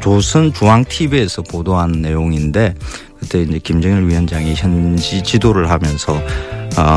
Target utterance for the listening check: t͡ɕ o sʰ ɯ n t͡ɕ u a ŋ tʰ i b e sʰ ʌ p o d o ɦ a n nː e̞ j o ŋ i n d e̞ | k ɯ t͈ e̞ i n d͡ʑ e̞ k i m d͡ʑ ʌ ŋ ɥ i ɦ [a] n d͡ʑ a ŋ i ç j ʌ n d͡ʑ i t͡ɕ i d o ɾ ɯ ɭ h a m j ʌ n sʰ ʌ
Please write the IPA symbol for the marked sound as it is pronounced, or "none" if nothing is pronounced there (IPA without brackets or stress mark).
ʌ